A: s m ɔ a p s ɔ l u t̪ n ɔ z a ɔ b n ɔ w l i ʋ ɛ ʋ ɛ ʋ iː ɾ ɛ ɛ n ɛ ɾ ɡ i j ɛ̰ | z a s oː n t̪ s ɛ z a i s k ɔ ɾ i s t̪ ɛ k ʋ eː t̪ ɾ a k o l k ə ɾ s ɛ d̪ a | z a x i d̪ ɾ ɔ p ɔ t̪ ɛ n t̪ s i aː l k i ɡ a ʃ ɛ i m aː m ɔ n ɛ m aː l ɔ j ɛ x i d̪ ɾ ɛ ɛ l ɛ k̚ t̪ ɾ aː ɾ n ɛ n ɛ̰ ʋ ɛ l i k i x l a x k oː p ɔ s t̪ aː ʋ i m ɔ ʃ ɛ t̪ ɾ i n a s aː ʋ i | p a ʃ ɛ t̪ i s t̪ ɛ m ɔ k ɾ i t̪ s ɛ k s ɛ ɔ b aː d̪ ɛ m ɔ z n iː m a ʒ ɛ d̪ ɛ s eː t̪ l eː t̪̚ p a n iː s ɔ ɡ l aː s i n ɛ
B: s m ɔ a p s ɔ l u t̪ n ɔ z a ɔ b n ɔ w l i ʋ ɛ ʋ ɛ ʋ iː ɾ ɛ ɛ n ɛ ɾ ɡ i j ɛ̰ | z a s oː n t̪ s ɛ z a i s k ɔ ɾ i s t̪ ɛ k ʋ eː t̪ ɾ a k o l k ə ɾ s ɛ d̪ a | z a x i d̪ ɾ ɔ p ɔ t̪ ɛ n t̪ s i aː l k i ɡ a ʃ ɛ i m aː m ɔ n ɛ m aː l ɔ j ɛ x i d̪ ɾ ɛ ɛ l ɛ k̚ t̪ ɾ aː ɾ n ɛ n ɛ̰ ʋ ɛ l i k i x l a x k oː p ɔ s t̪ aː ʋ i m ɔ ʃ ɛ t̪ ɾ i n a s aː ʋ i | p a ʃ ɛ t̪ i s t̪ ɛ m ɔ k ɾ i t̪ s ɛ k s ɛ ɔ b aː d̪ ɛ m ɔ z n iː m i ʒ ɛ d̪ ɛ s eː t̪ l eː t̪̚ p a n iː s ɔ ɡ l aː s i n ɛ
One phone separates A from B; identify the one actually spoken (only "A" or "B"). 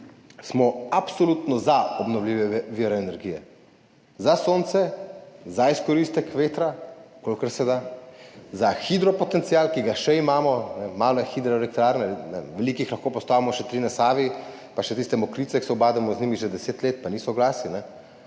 B